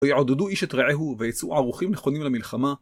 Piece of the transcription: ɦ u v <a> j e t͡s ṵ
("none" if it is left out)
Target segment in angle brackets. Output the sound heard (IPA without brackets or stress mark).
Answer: e